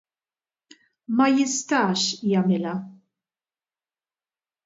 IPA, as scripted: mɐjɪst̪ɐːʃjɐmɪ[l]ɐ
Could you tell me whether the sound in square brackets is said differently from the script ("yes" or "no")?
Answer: no